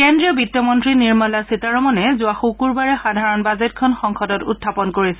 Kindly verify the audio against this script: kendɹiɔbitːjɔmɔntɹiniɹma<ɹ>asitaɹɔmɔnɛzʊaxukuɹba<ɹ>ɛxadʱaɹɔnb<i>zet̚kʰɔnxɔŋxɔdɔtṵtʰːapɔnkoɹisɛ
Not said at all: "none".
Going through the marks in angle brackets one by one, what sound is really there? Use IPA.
l, ɹ, a

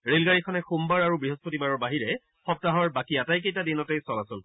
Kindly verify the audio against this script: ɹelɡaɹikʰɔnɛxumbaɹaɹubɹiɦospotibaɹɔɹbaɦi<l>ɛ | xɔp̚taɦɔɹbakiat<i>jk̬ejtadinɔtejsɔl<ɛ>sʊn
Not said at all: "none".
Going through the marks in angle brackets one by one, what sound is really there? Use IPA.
ɹ, a, a

